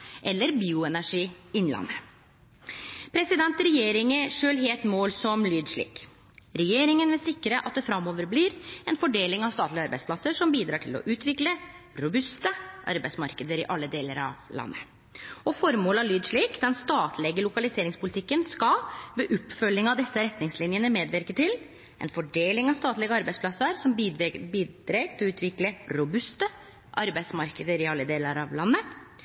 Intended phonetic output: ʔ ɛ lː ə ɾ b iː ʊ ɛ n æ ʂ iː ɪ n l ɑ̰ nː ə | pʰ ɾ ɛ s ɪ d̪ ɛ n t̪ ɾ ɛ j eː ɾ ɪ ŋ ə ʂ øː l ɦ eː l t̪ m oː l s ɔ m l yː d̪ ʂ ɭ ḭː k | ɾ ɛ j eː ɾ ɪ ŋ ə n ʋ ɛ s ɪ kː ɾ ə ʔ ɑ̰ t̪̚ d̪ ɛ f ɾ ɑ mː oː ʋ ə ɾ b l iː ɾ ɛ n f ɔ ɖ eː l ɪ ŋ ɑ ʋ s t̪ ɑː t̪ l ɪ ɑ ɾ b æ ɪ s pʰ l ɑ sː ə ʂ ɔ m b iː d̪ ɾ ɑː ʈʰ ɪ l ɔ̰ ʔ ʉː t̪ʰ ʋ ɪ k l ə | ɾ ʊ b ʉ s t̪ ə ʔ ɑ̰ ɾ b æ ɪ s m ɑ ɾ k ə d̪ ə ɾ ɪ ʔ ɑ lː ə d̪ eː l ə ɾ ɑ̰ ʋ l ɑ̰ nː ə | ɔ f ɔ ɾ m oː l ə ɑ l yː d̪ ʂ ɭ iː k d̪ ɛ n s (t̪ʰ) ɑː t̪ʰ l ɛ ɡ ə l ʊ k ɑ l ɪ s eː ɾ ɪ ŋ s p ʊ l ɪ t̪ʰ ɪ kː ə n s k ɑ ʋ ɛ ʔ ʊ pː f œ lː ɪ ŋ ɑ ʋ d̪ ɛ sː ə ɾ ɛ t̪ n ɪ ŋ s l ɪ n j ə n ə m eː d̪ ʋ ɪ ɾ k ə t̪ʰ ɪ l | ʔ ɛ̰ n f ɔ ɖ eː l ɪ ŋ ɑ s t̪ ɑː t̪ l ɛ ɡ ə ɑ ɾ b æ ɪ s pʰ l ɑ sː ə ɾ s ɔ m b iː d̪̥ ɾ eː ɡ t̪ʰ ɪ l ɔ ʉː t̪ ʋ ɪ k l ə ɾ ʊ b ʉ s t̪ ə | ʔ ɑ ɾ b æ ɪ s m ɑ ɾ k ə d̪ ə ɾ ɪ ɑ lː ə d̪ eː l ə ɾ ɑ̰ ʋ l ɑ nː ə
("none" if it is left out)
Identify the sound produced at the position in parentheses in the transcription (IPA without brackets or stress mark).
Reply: t̪